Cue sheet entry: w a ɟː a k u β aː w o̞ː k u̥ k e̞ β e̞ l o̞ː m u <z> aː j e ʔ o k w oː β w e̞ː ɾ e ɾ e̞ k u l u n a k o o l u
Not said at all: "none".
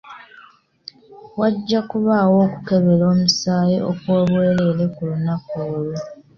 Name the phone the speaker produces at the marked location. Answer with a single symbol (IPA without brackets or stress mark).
s